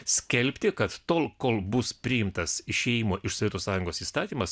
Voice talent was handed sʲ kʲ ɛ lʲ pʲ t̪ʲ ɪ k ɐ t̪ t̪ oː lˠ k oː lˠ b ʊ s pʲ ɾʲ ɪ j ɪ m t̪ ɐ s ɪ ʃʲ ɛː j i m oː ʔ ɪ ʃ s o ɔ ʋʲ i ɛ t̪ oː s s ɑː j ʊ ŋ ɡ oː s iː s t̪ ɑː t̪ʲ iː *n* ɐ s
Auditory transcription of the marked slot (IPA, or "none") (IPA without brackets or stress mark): m